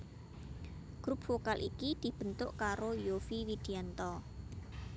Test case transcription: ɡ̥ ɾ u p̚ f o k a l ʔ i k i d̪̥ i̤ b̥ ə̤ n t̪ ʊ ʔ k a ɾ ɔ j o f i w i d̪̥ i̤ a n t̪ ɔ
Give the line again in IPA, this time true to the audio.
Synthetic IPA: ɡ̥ ɾ u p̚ f o k a l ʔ i k i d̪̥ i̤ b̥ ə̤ n t̪ ʊ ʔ k a ɾ o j o f i w i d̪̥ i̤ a n t̪ ɔ